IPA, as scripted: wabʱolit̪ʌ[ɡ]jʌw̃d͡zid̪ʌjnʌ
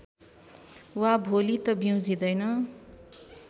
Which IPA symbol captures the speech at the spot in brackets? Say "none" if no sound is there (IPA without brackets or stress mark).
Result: b